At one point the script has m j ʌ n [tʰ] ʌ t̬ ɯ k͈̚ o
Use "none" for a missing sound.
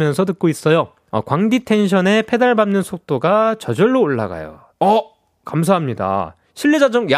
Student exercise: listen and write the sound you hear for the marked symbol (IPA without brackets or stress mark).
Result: sʰ